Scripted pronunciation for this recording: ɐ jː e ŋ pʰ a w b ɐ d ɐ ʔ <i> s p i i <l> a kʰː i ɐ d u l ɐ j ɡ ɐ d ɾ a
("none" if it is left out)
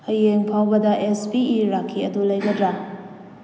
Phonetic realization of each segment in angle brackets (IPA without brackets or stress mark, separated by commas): e, ɾ